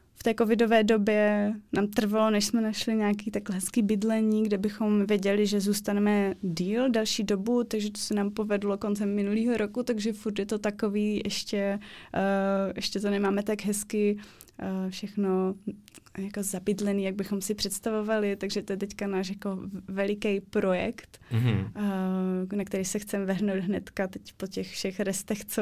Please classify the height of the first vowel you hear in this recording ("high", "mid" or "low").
mid